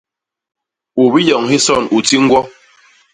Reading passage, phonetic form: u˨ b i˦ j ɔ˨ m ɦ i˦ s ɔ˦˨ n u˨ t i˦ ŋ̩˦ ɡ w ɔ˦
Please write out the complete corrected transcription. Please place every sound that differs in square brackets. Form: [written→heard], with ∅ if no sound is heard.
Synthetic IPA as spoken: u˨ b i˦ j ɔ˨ [m→ŋ] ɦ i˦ s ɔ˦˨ n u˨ t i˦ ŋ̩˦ ɡ w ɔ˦